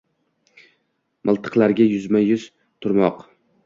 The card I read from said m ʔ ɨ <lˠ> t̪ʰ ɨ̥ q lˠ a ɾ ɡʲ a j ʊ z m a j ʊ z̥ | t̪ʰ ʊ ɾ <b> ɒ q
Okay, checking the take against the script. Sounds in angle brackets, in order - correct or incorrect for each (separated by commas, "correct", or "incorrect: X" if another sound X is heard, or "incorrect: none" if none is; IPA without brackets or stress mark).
correct, incorrect: m